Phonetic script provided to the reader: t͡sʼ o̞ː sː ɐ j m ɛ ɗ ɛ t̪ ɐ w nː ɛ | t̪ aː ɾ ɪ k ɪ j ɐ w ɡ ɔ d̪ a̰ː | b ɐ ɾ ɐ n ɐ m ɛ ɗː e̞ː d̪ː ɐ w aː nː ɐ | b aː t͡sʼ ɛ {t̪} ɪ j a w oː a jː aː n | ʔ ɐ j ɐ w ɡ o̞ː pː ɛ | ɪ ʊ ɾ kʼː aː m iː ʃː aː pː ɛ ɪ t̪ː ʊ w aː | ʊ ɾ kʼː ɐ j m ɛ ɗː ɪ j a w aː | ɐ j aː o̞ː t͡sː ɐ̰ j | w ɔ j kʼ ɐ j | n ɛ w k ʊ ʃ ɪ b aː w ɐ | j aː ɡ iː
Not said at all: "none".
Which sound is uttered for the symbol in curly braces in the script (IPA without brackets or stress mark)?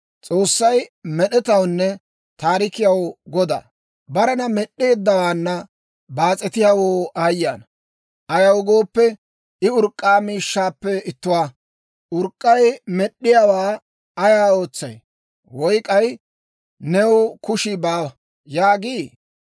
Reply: t̪